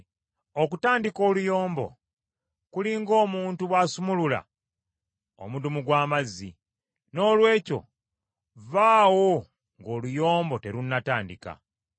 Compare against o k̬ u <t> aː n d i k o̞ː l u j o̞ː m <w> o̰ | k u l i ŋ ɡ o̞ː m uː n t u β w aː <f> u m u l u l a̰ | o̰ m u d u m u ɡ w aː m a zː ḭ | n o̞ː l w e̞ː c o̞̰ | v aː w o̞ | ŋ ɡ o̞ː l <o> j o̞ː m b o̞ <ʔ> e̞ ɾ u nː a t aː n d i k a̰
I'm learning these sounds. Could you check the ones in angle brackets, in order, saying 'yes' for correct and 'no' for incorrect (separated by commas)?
yes, no, no, no, no